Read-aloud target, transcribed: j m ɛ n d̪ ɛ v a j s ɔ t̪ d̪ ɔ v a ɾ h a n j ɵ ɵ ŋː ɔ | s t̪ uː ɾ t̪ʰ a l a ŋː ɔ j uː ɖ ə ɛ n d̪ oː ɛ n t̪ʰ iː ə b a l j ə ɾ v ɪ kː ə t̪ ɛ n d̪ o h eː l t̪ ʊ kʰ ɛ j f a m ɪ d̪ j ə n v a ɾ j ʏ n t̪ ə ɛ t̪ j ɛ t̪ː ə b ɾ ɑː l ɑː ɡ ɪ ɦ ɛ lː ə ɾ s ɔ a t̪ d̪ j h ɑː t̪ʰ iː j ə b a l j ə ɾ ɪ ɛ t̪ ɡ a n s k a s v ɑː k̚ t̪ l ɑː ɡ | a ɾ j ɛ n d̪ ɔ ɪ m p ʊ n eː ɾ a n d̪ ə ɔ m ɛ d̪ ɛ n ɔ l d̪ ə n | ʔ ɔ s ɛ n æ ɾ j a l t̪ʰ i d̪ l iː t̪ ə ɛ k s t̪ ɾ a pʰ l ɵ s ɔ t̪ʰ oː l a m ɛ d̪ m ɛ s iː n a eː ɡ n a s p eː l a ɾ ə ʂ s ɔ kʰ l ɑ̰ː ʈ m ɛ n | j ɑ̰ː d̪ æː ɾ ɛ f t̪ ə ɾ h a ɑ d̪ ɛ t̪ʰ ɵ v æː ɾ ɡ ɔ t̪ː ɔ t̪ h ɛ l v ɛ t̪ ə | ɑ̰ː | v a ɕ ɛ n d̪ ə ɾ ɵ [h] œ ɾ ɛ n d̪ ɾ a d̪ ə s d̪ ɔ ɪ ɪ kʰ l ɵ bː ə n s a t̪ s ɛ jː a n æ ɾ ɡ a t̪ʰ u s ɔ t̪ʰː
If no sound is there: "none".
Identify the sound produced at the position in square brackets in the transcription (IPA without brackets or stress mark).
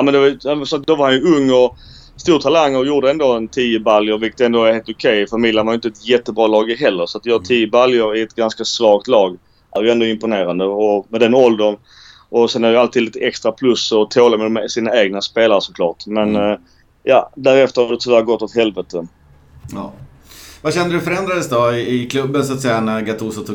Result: f